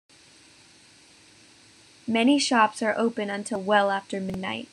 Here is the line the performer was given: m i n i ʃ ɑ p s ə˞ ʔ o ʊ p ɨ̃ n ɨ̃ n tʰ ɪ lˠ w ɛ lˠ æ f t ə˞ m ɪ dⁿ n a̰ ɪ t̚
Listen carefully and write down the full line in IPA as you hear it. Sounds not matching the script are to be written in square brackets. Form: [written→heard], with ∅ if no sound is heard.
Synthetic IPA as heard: m [i→ɛ] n i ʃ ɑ p s ə˞ ʔ o ʊ p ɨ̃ n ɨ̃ n tʰ ɪ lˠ w ɛ lˠ æ f t ə˞ m ɪ dⁿ n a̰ ɪ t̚